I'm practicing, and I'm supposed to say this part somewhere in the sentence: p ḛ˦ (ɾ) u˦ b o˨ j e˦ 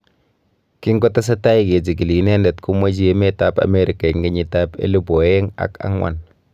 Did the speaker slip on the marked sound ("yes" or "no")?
yes